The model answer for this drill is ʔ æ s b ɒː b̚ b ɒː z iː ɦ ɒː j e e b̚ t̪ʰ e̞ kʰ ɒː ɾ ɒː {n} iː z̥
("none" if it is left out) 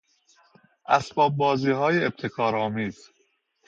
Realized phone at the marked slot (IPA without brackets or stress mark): m